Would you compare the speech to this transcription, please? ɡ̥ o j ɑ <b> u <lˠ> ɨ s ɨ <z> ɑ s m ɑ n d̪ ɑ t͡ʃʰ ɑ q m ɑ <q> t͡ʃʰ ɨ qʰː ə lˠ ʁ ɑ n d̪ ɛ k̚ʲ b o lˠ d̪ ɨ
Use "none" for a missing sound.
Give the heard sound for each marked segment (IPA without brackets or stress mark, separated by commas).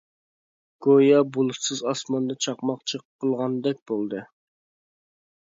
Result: b, lˠ, z, q